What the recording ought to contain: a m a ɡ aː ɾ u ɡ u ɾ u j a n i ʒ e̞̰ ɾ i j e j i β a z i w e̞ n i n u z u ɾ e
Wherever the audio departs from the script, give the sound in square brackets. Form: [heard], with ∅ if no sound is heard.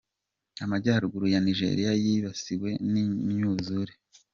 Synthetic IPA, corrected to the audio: a m a [ɟ] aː ɾ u ɡ u ɾ u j a n i ʒ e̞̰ ɾ i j [a] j i β a [s] i w e̞ n i [ɲ] u z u ɾ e